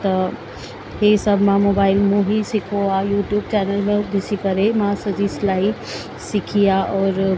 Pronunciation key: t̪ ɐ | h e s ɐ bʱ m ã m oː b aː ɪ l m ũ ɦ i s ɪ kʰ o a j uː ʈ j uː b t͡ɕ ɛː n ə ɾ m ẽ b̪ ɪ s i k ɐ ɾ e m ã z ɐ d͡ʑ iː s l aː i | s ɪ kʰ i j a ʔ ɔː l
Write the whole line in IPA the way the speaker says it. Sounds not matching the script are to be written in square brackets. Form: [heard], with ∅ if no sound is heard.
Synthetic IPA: t̪ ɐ | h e s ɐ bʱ m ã m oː b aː ɪ l m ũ ɦ i s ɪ kʰ o a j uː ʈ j uː b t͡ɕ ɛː n ə [l] m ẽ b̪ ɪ s i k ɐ ɾ e m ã [s] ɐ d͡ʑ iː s l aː i | s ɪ kʰ i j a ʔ ɔː [ɾ]

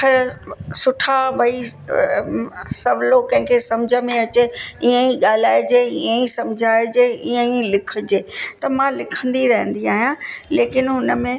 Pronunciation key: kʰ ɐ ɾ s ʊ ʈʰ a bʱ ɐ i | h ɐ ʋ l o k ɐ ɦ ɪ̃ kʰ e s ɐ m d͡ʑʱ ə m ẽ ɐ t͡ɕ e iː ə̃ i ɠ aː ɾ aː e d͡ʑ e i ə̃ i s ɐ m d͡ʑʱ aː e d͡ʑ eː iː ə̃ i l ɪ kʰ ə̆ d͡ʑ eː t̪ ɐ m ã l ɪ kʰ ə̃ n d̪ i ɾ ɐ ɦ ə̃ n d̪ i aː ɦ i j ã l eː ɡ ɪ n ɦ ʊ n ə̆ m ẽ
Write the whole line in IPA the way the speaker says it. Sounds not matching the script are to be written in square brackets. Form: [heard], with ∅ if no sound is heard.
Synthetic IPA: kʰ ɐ ɾ s ʊ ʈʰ a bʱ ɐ i | [s] ɐ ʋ l o k [ɐ̃] ɦ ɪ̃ kʰ e s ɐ m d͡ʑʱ ə m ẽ ɐ t͡ɕ e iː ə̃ i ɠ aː [l] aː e d͡ʑ e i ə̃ i s ɐ m d͡ʑʱ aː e d͡ʑ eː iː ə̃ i l ɪ kʰ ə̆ d͡ʑ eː t̪ ɐ m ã l ɪ kʰ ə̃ n d̪ i ɾ ɐ ɦ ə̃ n d̪ i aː ɦ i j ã l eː [k] ɪ n ɦ ʊ n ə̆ m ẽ

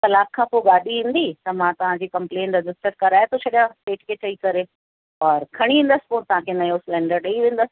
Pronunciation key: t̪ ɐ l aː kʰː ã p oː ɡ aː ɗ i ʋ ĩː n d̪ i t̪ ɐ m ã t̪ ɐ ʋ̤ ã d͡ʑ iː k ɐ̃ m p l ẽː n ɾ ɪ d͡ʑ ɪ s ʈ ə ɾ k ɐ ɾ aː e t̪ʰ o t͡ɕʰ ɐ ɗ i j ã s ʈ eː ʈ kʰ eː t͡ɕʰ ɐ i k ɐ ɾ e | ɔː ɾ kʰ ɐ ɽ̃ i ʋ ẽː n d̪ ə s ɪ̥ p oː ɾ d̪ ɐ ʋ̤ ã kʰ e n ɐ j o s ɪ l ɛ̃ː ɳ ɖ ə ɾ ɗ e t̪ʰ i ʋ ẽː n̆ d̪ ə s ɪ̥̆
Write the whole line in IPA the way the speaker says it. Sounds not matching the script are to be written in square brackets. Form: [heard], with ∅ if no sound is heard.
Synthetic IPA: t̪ ɐ l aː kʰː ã p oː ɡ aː ɗ i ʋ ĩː n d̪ i t̪ ɐ m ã t̪ ɐ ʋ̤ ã d͡ʑ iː k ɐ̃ m p l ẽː n ɾ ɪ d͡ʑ ɪ s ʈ ə ɾ k ɐ ɾ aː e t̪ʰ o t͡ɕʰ ɐ ɗ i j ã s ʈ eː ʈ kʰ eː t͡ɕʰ ɐ i k ɐ ɾ e | ɔː ɾ kʰ ɐ ɽ̃ i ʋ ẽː n d̪ ə s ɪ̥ p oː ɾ [t̪] ɐ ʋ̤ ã kʰ e n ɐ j o s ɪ l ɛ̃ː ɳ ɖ ə ɾ ɗ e [∅] i ʋ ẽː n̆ d̪ ə s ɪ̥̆

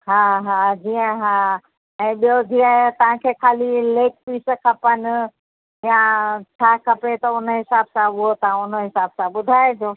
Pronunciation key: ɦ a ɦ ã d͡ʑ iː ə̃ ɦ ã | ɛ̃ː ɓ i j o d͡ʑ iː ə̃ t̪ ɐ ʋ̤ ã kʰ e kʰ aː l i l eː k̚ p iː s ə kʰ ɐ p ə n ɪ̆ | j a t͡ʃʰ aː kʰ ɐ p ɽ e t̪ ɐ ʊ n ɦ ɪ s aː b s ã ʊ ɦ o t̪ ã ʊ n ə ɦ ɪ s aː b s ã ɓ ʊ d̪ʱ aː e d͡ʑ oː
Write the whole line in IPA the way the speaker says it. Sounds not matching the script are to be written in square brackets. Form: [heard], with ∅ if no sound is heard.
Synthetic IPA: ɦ a ɦ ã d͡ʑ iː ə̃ ɦ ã | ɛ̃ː ɓ i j o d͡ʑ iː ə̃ t̪ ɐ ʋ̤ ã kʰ e kʰ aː l i l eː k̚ p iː s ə kʰ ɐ p ə n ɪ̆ | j a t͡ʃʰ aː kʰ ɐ p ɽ e t̪ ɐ ʊ n ɦ ɪ s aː b s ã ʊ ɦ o t̪ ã ʊ n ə ɦ ɪ s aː b s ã ɓ ʊ d̪ʱ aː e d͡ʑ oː

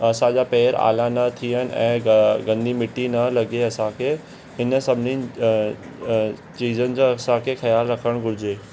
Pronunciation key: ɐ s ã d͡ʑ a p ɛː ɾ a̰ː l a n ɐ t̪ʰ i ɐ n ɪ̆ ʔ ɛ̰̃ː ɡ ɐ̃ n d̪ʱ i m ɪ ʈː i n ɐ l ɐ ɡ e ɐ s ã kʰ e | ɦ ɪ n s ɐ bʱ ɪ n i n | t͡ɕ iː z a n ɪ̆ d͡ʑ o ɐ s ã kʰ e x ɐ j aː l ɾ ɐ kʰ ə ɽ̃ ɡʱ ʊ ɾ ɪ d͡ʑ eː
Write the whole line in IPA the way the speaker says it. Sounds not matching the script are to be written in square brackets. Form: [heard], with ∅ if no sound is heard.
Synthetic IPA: ɐ s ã d͡ʑ a p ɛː ɾ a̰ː l a n ɐ t̪ʰ i [ə] n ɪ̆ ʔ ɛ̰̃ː ɡ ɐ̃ n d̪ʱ i m ɪ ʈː i n ɐ l ɐ ɡ e ɐ s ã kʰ e | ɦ ɪ n s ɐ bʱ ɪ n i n | t͡ɕ iː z [ə] n ɪ̆ d͡ʑ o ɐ s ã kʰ e x ɐ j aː l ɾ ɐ kʰ ə ɽ̃ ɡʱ ʊ ɾ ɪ d͡ʑ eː

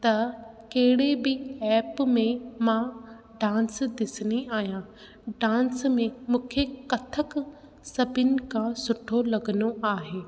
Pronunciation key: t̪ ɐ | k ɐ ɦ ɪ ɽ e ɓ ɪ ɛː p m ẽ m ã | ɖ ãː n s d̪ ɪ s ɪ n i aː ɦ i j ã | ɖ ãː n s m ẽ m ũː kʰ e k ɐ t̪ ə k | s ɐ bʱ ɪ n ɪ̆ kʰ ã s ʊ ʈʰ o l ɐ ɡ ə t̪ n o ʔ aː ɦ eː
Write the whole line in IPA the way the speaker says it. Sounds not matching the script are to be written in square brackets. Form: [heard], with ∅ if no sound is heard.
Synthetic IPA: t̪ ɐ | k ɐ ɦ ɪ ɽ e [b] ɪ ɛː p m ẽ m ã | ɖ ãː n s d̪ ɪ s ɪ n i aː ɦ i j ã | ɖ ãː n s m ẽ m ũː kʰ e k ɐ [t̪ʰ] ə k | s ɐ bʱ ɪ n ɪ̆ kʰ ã s ʊ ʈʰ o l ɐ ɡ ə [∅] n o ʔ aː ɦ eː

